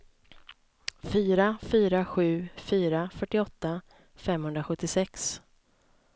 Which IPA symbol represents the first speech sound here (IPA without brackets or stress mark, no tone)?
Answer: f